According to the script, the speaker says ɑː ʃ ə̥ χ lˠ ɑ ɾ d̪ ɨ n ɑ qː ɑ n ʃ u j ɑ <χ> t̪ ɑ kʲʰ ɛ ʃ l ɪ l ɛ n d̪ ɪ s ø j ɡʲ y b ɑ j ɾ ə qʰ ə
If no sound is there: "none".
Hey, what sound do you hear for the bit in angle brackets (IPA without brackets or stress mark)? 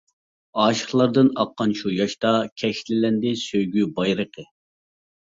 ʃ